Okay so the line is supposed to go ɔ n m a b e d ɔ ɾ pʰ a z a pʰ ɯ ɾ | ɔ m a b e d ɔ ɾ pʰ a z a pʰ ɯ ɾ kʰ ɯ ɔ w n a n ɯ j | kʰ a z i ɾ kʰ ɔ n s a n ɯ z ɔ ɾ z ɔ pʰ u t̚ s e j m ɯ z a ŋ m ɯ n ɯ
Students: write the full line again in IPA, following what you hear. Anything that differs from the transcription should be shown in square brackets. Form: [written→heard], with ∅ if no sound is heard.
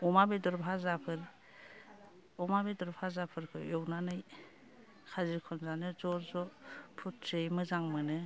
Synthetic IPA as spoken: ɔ [n→∅] m a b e d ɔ ɾ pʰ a z a pʰ ɯ ɾ | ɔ m a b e d ɔ ɾ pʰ a z a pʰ ɯ ɾ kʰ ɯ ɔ w n a n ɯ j | kʰ a z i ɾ kʰ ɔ n [s→z] a n ɯ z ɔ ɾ z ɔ pʰ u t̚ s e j m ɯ z a ŋ m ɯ n ɯ